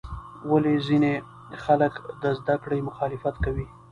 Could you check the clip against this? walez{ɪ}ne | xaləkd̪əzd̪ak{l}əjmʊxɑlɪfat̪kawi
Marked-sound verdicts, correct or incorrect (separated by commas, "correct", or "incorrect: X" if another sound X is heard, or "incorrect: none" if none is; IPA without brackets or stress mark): incorrect: i, incorrect: ɽ